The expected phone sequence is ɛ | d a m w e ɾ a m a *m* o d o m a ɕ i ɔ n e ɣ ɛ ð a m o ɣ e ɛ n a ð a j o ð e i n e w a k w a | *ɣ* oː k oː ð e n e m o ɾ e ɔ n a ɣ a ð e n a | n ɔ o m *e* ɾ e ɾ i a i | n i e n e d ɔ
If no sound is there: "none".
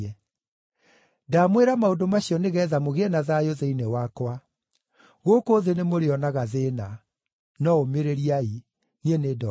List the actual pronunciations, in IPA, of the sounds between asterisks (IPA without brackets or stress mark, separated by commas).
none, ɣ, e